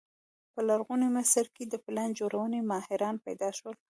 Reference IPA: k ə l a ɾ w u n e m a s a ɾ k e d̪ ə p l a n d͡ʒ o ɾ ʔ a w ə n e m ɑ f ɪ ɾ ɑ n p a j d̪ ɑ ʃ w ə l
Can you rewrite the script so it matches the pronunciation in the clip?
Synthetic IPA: p ə l a ɾ ɣ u n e m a s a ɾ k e d̪ ə p l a n d͡ʒ o ɾ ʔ a w ə n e m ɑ h ɪ ɾ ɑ n p a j d̪ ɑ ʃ w ə l